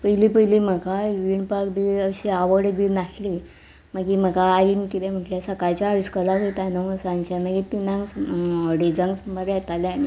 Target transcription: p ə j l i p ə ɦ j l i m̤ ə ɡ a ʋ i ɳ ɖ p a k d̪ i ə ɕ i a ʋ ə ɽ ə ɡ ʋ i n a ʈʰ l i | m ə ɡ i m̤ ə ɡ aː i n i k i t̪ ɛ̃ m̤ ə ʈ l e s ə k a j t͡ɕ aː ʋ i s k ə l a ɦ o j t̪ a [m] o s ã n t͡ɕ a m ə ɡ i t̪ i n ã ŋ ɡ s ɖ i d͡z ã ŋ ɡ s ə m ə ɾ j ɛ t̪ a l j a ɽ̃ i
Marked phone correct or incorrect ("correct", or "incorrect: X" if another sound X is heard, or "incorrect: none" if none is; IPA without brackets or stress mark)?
incorrect: n